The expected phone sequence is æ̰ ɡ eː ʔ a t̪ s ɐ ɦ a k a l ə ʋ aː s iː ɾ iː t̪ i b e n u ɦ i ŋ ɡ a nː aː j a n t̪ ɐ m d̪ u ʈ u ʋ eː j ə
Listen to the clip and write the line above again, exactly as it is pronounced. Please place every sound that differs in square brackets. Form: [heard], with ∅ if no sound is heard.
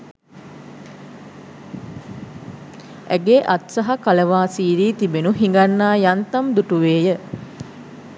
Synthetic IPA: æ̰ ɡ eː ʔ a t̪ s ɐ ɦ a k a l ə ʋ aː s iː ɾ iː t̪ i b e n u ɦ i ŋ ɡ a nː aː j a n t̪ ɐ m d̪ u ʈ u ʋ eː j ə